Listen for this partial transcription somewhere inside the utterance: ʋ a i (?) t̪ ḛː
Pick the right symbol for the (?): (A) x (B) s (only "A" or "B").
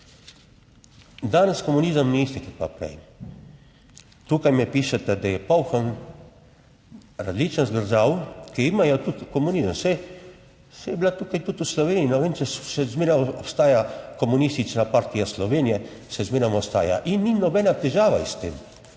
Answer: B